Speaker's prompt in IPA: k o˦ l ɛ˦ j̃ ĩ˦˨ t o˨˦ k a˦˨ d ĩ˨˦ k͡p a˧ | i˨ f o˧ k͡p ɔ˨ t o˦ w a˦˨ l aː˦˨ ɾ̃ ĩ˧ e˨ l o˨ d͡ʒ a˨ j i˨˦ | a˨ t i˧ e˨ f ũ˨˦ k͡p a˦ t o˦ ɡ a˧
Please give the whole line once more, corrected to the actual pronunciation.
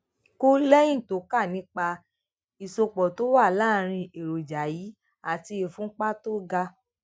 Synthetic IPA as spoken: k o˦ l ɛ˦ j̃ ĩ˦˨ t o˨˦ k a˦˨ n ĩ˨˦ k͡p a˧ | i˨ s o˧ k͡p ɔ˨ t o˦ w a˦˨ l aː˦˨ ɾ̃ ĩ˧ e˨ ɾ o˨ d͡ʒ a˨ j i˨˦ | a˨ t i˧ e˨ f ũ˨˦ k͡p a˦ t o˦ ɡ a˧